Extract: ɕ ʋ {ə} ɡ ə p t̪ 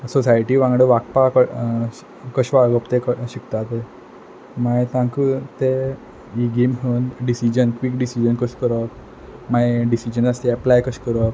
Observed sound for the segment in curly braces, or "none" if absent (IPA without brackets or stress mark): a